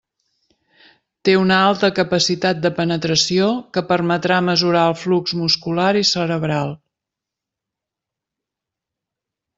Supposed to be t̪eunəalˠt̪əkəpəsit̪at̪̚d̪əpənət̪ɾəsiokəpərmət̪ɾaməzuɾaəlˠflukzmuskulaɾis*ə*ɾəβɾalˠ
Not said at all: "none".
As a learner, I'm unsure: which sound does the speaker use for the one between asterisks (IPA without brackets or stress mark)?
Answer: ə